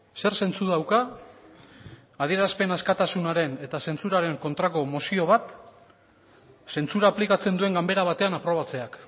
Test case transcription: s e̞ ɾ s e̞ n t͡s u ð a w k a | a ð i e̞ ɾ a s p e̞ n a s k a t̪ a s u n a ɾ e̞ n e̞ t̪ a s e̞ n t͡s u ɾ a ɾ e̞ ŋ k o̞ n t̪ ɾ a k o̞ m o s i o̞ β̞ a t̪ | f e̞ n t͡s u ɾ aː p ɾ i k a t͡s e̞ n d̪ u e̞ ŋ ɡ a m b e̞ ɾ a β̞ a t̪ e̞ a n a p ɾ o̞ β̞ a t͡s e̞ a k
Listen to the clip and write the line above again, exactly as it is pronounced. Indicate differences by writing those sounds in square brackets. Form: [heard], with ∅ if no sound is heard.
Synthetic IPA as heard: s e̞ ɾ s e̞ n t͡s u ð a w k a | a ð i e̞ ɾ a s p e̞ n a s k a t̪ a s u n a ɾ e̞ n e̞ t̪ a s e̞ n t͡s u ɾ a ɾ e̞ ŋ k o̞ n t̪ ɾ a k o̞ m o s i o̞ β̞ a t̪ | [s] e̞ n t͡s u ɾ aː p [l] i k a t͡s e̞ n d̪ u e̞ ŋ ɡ a m b e̞ ɾ a β̞ a t̪ e̞ a n a p ɾ o̞ β̞ a t͡s e̞ a k